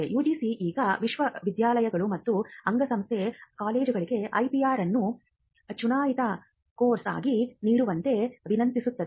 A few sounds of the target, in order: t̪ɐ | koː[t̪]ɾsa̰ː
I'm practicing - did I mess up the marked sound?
yes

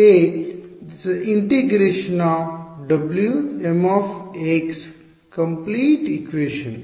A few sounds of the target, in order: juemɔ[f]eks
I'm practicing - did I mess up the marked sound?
no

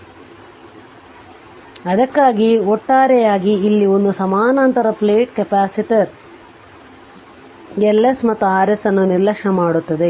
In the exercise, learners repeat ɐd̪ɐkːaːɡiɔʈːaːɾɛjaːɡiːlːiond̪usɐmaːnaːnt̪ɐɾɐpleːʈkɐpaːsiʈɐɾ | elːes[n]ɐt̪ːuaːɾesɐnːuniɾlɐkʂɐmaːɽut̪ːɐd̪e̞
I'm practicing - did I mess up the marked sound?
yes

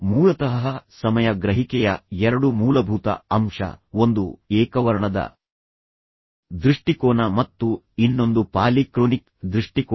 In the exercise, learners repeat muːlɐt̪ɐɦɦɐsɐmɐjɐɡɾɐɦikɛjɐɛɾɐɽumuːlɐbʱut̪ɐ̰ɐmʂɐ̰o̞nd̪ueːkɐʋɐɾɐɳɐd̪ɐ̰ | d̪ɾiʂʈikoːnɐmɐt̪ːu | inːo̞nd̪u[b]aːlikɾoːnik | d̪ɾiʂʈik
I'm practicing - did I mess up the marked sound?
yes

